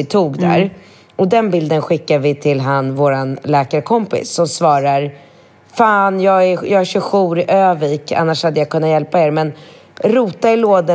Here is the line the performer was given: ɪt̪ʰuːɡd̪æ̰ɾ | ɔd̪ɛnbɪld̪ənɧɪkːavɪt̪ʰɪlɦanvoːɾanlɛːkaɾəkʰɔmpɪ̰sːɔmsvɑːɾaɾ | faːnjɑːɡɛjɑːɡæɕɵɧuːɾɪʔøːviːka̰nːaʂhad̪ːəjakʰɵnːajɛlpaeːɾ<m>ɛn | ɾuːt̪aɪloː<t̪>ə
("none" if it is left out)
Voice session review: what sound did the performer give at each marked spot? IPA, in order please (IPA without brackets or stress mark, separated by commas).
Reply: m, d̪